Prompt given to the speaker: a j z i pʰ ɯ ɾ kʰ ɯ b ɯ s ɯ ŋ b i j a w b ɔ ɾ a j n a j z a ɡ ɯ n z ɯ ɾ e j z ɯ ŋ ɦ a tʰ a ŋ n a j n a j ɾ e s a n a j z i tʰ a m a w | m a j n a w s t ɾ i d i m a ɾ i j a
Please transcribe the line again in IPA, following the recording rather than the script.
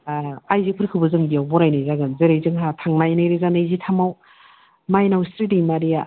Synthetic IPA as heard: a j z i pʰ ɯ ɾ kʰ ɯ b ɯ z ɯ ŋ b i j a w b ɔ ɾ a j n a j z a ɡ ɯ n z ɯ ɾ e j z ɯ ŋ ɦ a tʰ a ŋ n a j n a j ɾ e z a n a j z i tʰ a m a w | m a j n a w s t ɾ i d i m a ɾ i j a

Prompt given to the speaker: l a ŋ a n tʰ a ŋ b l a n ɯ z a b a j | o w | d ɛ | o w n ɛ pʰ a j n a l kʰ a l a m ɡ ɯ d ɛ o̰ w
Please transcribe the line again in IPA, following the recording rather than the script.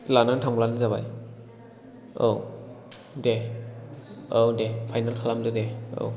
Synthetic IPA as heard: l a n a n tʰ a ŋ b l a n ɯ z a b a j | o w | d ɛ | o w d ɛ pʰ a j n a l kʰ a l a m d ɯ d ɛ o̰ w

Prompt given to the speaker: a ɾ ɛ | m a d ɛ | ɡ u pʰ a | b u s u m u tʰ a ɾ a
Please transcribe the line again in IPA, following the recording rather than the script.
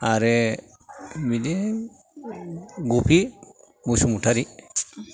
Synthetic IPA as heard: a ɾ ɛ | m i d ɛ | ɡ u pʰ i | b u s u m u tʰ a ɾ i

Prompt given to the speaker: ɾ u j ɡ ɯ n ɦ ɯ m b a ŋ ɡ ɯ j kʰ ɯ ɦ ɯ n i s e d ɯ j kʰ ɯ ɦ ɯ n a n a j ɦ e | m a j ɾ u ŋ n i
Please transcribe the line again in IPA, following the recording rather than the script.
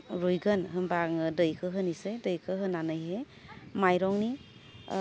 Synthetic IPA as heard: ɾ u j ɡ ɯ n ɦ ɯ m b a ŋ d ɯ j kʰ ɯ ɦ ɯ n i s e d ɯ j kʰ ɯ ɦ ɯ n a n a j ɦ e | m a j ɾ ɔ ŋ n i

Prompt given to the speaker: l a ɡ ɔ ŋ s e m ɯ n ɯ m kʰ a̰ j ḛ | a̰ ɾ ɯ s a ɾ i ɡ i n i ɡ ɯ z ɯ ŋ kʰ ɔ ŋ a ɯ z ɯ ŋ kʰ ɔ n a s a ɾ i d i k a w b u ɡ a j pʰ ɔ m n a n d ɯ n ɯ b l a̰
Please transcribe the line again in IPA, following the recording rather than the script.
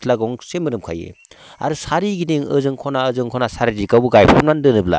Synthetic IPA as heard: l a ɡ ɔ ŋ s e m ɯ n ɯ m kʰ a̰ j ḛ | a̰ ɾ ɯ s a ɾ i ɡ i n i ŋ ɯ z ɯ ŋ kʰ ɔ n a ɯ z ɯ ŋ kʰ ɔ n a s a ɾ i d i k a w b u ɡ a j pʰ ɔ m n a n d ɯ n ɯ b l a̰

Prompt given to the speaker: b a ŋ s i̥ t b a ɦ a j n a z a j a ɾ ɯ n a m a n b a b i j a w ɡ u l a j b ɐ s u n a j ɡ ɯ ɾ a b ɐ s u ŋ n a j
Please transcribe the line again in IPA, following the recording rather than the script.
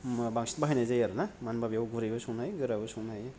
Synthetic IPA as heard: b a ŋ s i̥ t b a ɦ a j n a z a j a ɾ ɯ n a m a n b a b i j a w ɡ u ɾ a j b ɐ s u n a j ɡ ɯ ɾ a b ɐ s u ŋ n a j

